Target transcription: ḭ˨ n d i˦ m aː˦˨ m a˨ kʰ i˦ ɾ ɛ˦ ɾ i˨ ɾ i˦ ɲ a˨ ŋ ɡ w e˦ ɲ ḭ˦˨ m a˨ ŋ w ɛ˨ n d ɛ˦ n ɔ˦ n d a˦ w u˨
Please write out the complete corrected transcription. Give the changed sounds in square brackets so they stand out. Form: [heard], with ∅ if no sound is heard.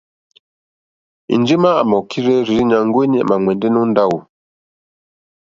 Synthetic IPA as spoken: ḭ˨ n [d͡ʒ] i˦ m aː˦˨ m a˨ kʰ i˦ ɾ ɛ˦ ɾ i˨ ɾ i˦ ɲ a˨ ŋ ɡ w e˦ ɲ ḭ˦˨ m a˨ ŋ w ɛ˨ n d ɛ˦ n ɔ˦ n d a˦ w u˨